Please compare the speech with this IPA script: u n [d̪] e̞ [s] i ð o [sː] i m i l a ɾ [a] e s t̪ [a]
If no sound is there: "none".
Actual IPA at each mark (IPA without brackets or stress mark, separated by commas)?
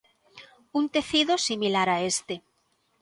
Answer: t̪, θ, s, a, e